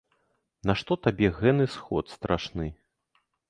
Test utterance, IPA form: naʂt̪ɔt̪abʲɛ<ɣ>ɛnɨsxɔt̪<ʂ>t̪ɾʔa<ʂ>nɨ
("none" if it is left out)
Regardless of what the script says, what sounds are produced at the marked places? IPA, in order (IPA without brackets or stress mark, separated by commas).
ɣ, s, ʂ